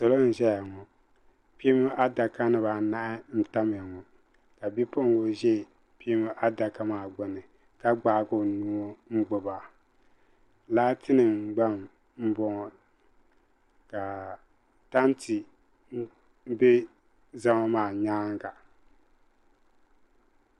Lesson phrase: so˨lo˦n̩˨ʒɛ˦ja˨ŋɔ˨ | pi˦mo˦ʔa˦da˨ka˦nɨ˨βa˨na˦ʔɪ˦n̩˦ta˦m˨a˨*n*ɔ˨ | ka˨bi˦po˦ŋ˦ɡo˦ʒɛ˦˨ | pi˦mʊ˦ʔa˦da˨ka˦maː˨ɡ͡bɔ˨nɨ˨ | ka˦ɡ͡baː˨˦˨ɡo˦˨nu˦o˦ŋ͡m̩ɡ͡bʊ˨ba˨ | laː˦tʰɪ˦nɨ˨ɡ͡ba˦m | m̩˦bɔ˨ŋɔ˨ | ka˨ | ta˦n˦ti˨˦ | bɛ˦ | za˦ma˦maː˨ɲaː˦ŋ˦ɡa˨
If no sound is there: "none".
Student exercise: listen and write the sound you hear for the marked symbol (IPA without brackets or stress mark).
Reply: ŋ